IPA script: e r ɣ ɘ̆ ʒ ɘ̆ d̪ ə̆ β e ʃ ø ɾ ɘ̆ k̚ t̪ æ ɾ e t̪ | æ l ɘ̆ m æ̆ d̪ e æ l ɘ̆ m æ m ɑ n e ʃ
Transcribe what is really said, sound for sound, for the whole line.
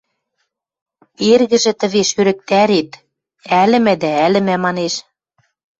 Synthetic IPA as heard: e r ɣ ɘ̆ ʒ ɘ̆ t̪ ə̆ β e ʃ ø ɾ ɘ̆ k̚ t̪ æ ɾ e t̪ | æ l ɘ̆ m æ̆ d̪ æ æ l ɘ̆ m æ m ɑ n e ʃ

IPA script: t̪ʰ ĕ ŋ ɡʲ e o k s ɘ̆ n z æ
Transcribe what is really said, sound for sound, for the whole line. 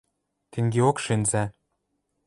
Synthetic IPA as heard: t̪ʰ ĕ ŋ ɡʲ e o k ʃ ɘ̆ n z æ

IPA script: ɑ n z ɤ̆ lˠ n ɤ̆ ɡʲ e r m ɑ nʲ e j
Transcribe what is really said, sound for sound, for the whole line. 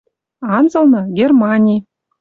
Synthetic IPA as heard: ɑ n z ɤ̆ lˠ n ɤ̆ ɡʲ e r m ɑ nʲ i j

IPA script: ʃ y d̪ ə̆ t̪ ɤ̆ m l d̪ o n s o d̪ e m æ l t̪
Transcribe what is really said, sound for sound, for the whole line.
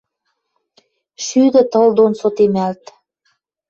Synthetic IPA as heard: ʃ y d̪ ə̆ t̪ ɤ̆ l d̪ o n s o t̪ e m æ l t̪

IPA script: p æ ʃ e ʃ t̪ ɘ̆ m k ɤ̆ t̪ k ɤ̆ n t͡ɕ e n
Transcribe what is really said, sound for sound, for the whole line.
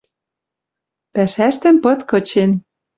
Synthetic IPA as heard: p æ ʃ æ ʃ t̪ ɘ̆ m p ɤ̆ t̪ k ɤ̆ t͡ɕ e n

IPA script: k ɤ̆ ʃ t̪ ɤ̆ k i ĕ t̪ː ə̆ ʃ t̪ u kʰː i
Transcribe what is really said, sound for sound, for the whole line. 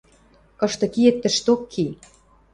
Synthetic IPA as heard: k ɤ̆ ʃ t̪ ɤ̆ k i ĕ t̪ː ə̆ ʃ t̪ o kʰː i

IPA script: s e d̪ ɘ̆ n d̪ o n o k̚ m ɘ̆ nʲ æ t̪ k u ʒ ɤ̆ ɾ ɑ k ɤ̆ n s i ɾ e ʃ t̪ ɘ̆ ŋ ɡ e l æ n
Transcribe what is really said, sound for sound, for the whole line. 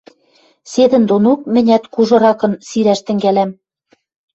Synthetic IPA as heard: s e d̪ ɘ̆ n d̪ o n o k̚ m ɘ̆ nʲ æ t̪ k u ʒ ɤ̆ ɾ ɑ k ɤ̆ n s i ɾ æ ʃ t̪ ɘ̆ ŋ ɡ æ l æ m

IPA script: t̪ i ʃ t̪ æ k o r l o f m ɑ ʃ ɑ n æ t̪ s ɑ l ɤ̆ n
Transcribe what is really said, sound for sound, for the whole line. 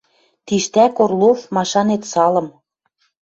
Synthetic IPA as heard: t̪ i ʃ t̪ æ k o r l o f m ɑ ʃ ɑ n e t̪ s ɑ l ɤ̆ m

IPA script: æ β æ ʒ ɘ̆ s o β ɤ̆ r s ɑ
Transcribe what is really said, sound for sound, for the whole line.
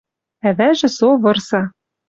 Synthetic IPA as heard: æ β æ ʒ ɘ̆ s o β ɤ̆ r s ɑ

